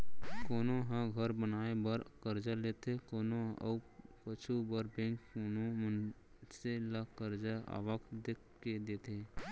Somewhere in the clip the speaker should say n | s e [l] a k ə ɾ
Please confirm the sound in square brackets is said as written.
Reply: yes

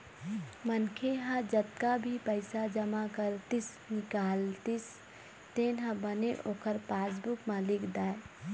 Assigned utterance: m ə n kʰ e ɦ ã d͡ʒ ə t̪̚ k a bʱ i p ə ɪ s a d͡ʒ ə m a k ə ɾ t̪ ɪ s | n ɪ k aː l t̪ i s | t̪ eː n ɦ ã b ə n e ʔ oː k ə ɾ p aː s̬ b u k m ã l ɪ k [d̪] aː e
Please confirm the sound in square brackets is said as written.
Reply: yes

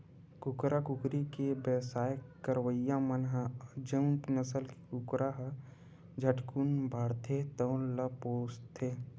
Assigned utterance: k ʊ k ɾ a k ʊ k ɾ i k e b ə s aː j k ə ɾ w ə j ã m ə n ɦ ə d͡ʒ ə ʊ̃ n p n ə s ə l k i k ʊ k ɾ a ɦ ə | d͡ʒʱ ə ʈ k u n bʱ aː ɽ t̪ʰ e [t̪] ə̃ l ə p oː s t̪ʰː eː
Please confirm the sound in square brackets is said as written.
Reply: yes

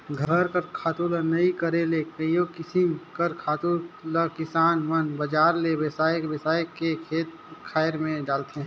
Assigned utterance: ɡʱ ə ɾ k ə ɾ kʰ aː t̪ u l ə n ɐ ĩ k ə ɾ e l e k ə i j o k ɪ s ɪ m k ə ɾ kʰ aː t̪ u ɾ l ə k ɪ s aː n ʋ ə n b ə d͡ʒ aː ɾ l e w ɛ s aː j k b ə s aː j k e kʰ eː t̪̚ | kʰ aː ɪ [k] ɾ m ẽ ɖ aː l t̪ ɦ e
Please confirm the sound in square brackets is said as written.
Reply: no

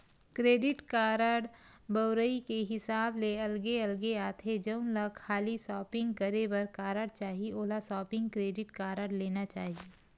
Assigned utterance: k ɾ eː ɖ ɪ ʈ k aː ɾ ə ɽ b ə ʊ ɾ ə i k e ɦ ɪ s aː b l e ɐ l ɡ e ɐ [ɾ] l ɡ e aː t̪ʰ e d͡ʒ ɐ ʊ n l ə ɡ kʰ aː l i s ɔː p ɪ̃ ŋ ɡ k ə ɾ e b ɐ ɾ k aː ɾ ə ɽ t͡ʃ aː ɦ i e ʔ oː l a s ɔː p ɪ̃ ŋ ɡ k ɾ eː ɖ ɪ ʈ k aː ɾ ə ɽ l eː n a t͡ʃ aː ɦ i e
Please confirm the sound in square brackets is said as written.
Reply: no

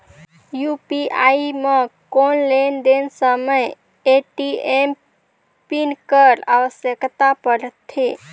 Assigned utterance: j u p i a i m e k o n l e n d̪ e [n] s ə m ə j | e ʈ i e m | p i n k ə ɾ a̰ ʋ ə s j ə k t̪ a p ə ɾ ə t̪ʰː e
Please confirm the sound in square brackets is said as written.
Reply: yes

